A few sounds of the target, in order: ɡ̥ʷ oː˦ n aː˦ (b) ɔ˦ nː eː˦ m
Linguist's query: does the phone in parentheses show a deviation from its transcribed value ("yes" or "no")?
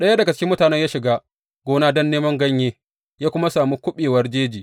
yes